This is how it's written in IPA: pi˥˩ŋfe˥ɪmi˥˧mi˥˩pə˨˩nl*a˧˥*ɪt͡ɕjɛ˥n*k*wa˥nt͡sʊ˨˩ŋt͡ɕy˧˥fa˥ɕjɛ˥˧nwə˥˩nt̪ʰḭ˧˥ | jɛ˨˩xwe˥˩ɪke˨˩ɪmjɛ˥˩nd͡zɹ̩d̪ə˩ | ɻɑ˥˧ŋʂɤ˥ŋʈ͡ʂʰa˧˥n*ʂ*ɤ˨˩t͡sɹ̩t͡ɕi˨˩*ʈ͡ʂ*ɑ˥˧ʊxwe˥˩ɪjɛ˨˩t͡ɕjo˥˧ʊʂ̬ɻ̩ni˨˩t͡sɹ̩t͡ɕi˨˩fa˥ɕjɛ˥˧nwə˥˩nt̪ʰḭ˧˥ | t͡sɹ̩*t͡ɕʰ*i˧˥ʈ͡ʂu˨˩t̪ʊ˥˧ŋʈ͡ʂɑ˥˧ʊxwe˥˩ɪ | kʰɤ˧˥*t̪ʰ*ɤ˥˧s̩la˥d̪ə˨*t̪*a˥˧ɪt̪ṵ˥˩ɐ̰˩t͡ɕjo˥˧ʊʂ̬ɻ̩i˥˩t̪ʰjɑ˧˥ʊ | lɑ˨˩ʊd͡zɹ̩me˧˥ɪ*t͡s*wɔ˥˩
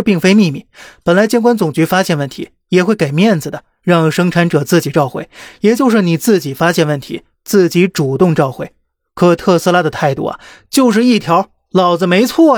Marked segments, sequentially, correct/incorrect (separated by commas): correct, correct, incorrect, correct, incorrect, correct, incorrect, incorrect